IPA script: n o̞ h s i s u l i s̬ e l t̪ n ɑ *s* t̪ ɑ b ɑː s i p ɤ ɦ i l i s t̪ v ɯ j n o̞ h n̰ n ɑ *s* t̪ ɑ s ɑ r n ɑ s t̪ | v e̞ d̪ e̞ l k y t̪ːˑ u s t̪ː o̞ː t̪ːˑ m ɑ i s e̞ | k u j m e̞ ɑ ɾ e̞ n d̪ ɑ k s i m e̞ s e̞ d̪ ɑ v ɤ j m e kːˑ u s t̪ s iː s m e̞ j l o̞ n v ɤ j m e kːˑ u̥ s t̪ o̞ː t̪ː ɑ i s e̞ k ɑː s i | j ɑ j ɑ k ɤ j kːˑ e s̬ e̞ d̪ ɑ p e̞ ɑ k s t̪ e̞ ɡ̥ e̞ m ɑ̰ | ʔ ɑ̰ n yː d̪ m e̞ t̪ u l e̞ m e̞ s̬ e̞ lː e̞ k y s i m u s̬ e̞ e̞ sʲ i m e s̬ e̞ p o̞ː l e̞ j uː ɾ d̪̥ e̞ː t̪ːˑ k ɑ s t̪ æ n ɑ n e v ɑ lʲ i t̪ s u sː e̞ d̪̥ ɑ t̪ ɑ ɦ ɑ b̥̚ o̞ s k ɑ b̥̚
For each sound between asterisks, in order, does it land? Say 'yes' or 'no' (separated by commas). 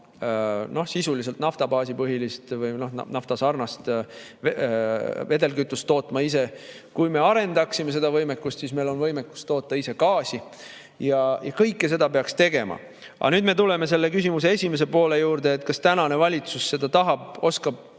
no, no